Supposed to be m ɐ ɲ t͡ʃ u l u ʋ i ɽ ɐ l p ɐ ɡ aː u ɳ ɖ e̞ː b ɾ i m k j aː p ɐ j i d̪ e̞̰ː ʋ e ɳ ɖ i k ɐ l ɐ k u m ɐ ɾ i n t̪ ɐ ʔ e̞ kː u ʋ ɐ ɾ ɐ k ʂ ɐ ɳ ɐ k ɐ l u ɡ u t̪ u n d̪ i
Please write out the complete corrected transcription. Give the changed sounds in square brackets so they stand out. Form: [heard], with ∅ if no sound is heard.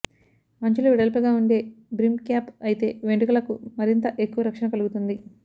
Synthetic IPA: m ɐ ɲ t͡ʃ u l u ʋ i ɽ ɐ l p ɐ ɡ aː u ɳ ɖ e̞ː b ɾ i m k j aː p ɐ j i [t̪] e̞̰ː ʋ e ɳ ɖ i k ɐ l ɐ k u m ɐ ɾ i n t̪ ɐ ʔ e̞ kː u ʋ ɐ ɾ ɐ k ʂ ɐ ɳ ɐ k ɐ l u ɡ u t̪ u n d̪ i